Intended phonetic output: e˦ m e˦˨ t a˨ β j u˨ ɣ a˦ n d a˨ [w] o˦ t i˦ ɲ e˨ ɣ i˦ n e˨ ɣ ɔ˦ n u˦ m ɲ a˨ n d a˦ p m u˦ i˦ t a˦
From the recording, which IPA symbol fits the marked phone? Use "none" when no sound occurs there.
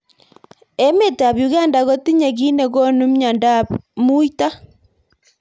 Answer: ɣ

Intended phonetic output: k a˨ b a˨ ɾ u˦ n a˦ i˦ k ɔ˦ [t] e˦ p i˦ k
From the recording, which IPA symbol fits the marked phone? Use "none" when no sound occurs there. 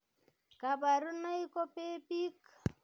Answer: p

